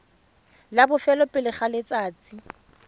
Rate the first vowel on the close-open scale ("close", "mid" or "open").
open